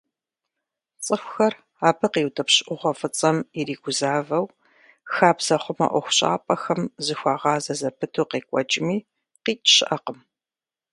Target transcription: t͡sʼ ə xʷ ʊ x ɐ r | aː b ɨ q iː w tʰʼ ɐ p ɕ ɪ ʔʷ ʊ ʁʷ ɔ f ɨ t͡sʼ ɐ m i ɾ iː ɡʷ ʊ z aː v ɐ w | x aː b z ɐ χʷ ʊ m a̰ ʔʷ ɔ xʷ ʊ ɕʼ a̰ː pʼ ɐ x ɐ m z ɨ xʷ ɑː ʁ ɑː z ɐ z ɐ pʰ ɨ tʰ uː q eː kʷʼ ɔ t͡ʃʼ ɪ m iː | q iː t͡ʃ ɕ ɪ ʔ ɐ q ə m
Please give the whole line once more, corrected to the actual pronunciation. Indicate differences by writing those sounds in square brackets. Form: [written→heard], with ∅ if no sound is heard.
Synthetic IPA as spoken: t͡sʼ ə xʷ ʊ x ɐ r | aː b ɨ q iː w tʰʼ ɐ p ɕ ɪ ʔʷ ʊ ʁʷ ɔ f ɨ t͡sʼ ɐ m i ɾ iː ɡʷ ʊ z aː v ɐ w | x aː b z ɐ χʷ ʊ m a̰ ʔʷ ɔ xʷ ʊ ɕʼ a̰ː pʼ ɐ x ɐ m z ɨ xʷ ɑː ʁ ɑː z ɐ z ɐ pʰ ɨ tʰ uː q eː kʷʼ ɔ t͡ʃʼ ɪ m iː | q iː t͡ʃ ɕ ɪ ʔ ɐ q ə m